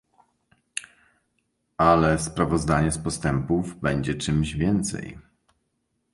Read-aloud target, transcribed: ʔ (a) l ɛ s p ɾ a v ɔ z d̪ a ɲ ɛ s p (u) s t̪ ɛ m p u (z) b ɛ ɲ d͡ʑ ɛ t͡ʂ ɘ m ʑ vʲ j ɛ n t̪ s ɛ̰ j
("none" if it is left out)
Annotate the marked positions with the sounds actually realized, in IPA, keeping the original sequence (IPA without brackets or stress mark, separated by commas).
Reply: a, ɔ, v